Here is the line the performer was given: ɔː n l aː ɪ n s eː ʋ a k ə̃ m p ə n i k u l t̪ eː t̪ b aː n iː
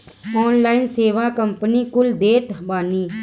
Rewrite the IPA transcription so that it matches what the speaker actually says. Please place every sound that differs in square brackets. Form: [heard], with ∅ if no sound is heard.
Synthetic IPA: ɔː n l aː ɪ n s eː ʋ a k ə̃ m p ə n i k [ʊ] l [d̪] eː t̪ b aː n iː